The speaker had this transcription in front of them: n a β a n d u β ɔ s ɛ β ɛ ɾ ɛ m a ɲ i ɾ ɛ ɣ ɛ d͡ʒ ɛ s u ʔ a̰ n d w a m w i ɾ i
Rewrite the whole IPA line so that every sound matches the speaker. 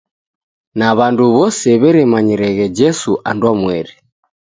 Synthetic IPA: n a β a n d u β ɔ s ɛ β ɛ ɾ ɛ m a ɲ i ɾ ɛ ɣ ɛ d͡ʒ ɛ s u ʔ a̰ n d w a m w ɛ ɾ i